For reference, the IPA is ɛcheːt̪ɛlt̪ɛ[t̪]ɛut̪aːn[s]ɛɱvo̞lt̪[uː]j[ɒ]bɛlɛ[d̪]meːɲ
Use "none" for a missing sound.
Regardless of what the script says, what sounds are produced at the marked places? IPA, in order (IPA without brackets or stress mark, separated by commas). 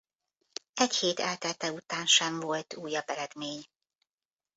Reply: t̪, ʃ, uː, ɒ, d̪